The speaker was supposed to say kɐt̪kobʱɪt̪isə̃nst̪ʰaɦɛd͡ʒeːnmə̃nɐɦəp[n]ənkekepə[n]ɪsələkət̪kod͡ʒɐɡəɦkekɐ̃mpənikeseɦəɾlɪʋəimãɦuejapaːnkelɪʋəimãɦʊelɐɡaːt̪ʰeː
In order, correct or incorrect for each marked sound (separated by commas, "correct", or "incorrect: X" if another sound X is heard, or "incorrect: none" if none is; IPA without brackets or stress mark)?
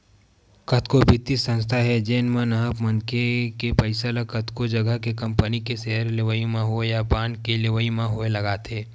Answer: incorrect: m, incorrect: none